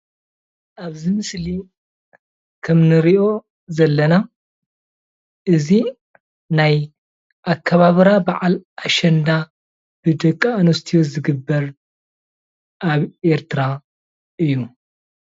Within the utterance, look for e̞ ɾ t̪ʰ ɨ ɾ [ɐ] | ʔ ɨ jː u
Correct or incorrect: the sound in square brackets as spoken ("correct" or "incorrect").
incorrect